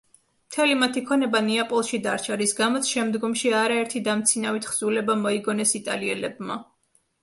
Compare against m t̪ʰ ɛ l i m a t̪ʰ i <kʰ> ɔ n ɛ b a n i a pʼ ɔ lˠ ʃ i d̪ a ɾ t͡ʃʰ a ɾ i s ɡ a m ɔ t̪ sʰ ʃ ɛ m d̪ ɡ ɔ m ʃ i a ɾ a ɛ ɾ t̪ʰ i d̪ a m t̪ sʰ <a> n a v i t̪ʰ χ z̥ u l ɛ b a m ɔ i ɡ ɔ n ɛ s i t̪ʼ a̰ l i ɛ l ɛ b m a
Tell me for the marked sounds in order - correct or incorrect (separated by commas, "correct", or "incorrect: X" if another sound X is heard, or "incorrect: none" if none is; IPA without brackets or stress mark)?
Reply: correct, incorrect: i